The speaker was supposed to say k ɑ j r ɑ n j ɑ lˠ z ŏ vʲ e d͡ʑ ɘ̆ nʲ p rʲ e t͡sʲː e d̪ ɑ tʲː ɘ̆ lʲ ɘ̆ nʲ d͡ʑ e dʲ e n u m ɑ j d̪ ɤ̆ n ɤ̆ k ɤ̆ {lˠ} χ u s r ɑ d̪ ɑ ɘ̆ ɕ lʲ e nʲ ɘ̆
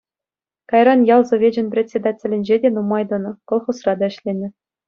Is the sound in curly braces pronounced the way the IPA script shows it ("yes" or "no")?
yes